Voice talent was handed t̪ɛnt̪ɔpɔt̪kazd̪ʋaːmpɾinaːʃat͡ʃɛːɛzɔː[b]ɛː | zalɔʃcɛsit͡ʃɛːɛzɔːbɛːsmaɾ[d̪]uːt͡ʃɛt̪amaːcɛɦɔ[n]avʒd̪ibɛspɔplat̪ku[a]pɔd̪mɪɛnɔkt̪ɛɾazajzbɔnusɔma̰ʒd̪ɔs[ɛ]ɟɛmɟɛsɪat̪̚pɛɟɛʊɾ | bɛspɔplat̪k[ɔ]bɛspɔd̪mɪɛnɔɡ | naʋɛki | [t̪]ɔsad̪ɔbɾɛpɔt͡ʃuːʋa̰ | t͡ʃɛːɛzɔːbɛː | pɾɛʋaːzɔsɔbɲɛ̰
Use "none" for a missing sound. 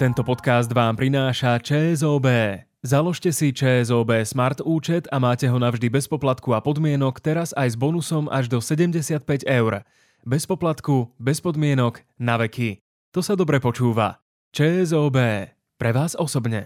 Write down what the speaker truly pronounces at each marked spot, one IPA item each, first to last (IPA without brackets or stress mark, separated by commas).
b, t̪, n, a, ɛ, u, t̪